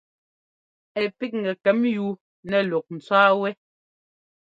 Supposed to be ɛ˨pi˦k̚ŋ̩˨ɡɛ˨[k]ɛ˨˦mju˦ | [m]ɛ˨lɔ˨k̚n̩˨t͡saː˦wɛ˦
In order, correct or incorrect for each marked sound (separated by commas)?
correct, incorrect